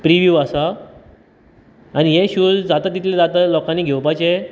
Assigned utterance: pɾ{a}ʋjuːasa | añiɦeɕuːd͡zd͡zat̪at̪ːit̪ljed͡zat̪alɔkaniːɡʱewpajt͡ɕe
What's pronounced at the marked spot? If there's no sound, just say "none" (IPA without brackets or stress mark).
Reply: i